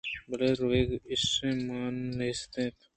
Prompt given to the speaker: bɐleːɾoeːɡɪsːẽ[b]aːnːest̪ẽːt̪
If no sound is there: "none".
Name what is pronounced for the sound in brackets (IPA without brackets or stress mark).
m